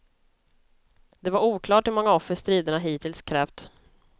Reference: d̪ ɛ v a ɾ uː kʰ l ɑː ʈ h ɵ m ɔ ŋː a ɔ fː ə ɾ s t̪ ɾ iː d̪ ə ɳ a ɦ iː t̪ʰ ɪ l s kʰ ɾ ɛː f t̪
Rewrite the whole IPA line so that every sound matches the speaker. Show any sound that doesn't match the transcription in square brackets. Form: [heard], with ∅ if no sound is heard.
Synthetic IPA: d̪ ɛ v a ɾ uː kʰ l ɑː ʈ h ɵ m ɔ ŋː a ɔ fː ə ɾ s t̪ ɾ iː d̪ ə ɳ a ɦ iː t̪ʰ ɪ l s kʰ ɾ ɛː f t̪